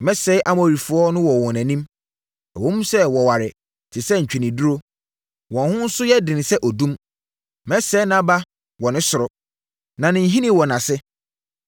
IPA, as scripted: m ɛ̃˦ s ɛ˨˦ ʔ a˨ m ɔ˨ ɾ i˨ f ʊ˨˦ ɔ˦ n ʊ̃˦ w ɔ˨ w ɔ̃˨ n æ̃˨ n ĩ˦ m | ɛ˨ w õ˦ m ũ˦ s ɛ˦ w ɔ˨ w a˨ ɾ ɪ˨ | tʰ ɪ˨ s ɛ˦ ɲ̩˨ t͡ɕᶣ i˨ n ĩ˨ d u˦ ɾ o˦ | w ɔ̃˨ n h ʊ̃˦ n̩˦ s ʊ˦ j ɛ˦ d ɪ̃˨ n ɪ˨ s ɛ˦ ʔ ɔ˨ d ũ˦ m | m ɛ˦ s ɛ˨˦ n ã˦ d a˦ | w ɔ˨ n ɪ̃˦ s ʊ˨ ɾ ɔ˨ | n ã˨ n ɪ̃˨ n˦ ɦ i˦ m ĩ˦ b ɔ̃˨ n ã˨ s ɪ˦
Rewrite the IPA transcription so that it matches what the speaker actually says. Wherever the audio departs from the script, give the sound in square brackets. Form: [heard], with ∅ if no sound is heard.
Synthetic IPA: m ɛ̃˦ s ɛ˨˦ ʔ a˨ m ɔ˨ ɾ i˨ f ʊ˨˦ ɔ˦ n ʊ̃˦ w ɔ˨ w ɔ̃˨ n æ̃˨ n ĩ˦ m | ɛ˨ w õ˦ m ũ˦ s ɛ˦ w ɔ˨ w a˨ ɾ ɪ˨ | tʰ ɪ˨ s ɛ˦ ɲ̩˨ t͡ɕᶣ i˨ n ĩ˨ d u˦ ɾ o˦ | w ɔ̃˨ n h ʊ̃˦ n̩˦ s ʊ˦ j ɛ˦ d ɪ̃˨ n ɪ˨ s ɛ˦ ʔ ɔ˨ d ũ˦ m | m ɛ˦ s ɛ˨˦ n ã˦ [b] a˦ | w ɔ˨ n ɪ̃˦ s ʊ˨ ɾ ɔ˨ | n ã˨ n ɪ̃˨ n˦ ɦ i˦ [n] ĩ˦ [w] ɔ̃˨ n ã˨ s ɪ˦